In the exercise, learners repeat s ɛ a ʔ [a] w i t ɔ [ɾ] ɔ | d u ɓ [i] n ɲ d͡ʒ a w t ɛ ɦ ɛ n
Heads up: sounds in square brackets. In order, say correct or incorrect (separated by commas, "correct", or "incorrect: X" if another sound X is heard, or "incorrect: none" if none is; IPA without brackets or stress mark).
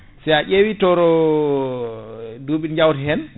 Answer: incorrect: e, correct, correct